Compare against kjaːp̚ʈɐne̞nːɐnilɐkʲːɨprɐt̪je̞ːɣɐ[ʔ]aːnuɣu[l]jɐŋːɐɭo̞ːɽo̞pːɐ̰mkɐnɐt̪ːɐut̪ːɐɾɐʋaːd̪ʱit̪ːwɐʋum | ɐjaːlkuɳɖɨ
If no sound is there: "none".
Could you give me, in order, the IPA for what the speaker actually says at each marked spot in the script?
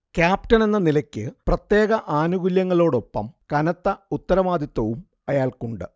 ʔ, l

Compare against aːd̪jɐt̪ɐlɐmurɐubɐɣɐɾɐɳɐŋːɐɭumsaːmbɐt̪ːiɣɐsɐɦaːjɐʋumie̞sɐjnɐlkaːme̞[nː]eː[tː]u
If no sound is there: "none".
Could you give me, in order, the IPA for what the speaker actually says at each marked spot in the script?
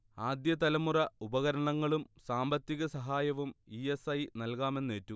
nː, tː

